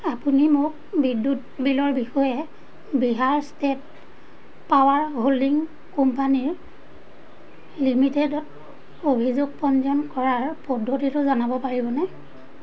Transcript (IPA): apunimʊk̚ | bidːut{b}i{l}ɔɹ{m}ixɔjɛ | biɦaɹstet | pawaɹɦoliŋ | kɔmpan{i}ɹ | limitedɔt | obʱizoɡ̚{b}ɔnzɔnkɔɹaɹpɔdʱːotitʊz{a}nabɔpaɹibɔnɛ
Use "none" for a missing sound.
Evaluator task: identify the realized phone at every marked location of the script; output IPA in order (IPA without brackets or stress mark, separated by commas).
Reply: b, l, b, i, p, a